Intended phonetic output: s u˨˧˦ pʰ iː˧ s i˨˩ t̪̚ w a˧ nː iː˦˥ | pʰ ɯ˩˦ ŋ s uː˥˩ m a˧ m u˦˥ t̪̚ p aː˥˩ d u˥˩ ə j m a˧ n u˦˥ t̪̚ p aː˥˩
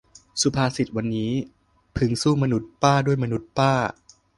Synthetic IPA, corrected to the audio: s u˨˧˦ pʰ aː˧ s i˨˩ t̪̚ w a˧ nː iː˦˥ | pʰ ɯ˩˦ ŋ s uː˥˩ m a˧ n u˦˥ t̪̚ p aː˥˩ d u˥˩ ə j m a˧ n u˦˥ t̪̚ p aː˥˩